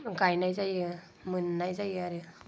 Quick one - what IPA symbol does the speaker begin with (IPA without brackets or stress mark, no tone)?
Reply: ɡ